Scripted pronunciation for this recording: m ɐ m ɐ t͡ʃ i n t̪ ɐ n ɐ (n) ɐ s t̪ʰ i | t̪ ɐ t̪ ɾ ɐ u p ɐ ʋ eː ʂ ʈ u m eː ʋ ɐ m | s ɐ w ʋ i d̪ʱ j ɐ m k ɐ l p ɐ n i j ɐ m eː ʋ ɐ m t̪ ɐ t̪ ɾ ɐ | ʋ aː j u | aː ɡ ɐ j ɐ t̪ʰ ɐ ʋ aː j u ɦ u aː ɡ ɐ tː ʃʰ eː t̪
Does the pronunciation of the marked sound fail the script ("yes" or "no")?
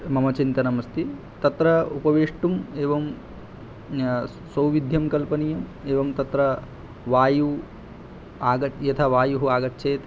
yes